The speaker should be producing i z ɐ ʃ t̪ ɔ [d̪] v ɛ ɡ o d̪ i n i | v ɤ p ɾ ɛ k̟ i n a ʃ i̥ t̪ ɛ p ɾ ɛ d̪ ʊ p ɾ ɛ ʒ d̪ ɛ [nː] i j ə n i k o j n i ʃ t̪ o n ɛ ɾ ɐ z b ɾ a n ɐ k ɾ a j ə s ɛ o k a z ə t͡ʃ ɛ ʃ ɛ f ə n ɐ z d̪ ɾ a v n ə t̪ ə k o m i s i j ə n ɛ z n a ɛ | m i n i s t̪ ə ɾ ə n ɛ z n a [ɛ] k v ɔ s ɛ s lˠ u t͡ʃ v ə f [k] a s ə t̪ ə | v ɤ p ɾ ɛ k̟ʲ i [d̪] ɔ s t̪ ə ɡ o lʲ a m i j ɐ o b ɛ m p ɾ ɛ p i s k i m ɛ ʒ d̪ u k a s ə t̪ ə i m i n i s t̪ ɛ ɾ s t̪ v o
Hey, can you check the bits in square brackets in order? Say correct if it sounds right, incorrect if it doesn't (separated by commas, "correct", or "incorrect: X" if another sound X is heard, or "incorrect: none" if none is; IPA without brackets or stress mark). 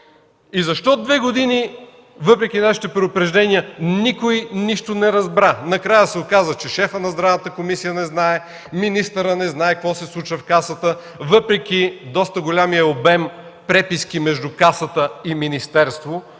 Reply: correct, incorrect: n, correct, correct, correct